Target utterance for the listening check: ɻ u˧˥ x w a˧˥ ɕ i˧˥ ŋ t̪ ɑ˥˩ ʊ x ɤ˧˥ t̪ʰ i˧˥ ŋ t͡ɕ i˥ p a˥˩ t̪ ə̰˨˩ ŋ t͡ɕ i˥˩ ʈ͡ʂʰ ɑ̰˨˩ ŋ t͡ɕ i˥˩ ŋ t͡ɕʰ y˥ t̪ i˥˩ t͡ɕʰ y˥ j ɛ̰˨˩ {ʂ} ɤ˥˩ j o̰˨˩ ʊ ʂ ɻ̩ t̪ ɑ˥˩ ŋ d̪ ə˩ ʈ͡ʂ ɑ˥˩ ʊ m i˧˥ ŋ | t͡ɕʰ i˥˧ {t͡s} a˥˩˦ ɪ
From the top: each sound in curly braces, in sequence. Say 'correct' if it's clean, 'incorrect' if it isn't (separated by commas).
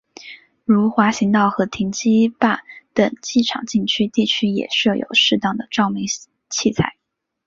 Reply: correct, incorrect